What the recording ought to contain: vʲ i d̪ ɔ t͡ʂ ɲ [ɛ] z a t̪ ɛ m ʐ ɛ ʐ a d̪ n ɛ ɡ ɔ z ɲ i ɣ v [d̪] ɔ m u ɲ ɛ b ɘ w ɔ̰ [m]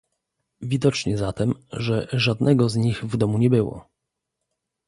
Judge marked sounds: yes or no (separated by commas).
yes, yes, no